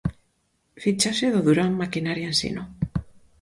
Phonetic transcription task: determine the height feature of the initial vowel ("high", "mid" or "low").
high